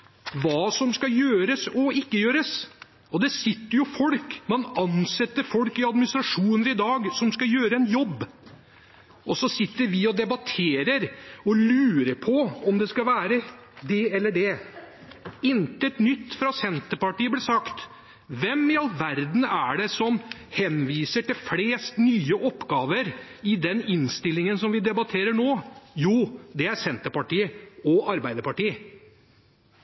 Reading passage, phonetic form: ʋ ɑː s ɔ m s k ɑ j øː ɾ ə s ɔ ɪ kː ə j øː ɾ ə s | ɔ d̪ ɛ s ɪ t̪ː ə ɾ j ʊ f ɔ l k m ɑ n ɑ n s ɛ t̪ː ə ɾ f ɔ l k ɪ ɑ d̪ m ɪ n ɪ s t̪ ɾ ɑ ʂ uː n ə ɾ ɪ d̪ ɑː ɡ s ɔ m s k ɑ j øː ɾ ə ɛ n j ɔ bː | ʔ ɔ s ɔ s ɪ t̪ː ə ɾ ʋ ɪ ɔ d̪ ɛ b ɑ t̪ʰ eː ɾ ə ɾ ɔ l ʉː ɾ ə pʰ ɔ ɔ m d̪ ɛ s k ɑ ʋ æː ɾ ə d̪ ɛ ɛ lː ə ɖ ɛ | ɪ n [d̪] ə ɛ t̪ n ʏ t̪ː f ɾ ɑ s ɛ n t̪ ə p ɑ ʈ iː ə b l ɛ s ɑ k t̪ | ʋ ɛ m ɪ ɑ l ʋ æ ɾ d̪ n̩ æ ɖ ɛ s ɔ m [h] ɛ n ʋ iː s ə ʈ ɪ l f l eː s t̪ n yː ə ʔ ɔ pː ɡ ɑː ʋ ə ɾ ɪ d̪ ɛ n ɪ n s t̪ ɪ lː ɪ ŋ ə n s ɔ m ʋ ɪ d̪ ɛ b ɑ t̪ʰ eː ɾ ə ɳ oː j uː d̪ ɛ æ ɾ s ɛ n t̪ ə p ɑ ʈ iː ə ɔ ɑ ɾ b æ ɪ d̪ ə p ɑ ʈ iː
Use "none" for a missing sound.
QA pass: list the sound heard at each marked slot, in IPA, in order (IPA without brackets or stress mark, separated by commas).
t̪, h